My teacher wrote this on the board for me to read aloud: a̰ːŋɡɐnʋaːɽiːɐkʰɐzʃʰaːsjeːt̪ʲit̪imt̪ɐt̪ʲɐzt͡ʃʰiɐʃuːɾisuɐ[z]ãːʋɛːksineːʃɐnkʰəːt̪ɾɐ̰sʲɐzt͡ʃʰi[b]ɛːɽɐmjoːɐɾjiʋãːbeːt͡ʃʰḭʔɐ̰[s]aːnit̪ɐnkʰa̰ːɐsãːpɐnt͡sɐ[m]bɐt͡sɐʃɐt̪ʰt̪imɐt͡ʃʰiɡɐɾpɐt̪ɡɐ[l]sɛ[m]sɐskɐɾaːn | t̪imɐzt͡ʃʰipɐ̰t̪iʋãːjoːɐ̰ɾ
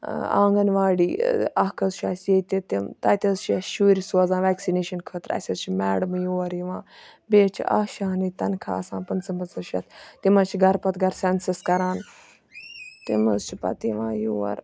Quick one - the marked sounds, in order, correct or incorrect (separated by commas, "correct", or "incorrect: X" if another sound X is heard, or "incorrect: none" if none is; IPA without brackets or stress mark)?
correct, incorrect: m, incorrect: ʃ, correct, incorrect: ɾ, incorrect: n